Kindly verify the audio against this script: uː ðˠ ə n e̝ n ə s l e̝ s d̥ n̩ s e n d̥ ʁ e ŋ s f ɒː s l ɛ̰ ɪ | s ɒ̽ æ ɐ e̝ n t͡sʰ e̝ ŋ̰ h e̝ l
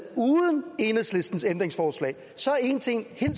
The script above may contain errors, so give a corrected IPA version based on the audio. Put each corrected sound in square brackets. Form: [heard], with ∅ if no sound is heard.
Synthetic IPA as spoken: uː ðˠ ə n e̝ n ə s l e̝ s d̥ n̩ s e n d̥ ʁ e ŋ s f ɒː s l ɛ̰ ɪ | s ɒ̽ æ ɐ e̝ n t͡sʰ e̝ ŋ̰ h e̝ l